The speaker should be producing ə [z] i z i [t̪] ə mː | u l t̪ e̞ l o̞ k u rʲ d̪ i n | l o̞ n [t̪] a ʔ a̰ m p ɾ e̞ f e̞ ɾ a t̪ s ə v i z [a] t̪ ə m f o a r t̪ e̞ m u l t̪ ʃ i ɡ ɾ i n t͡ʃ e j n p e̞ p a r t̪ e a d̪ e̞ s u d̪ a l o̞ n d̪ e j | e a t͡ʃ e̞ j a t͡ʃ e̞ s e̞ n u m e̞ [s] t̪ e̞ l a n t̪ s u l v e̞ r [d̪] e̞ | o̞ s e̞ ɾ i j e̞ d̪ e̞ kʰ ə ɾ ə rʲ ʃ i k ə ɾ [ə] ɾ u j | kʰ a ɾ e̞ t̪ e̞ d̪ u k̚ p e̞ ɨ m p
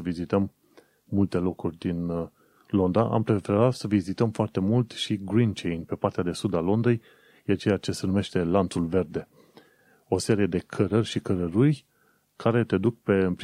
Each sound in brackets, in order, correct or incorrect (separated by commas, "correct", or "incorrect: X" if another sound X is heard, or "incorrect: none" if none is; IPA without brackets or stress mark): incorrect: v, correct, incorrect: d̪, incorrect: i, incorrect: ʃ, correct, correct